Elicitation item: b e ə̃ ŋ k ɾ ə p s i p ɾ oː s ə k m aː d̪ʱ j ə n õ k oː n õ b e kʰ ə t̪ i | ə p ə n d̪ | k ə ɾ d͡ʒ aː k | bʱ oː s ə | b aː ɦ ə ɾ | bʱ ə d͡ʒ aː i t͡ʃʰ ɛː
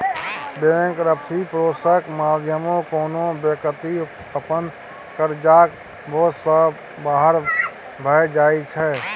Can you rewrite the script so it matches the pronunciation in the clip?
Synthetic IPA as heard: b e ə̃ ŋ k ɾ ə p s i p ɾ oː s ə k m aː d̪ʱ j ə m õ k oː n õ b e k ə t̪ i | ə p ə n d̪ | k ə ɾ d͡ʒ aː k | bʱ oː s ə | b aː ɦ ə ɾ | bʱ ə d͡ʒ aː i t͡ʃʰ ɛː